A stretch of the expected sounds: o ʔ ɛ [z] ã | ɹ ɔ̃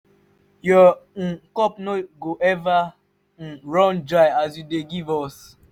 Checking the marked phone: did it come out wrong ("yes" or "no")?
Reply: yes